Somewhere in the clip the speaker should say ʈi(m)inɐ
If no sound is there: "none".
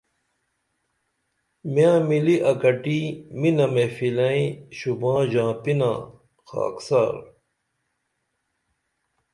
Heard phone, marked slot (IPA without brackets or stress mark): m